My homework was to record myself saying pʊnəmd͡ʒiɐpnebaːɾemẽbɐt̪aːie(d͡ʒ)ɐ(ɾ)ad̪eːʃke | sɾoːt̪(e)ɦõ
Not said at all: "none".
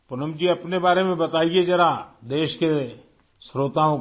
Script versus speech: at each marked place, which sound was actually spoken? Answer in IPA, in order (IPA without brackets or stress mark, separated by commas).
d͡ʒ, ɾ, a